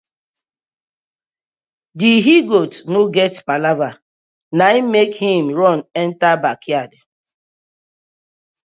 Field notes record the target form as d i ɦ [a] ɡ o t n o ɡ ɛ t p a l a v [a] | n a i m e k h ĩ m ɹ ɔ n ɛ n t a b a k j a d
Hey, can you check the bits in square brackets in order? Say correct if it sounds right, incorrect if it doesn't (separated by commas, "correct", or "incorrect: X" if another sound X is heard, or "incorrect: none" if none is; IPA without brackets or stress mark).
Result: incorrect: i, correct